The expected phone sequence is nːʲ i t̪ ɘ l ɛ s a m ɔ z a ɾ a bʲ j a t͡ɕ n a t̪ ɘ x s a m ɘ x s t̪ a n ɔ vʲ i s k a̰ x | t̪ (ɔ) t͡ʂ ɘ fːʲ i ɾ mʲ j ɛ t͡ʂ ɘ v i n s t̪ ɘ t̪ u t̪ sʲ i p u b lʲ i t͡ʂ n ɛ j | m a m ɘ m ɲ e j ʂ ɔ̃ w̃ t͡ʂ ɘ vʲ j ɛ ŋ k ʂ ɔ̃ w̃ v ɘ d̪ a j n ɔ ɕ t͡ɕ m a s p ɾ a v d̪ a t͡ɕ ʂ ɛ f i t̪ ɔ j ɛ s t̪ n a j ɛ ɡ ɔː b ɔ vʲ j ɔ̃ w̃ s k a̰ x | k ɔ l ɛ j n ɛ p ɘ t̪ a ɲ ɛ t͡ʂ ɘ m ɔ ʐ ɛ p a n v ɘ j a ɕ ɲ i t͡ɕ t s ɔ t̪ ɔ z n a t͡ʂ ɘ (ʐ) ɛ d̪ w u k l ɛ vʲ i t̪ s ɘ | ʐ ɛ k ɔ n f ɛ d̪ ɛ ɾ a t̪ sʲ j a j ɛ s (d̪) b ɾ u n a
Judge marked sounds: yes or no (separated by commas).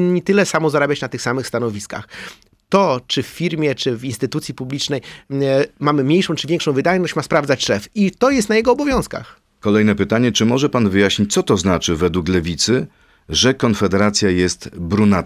yes, no, no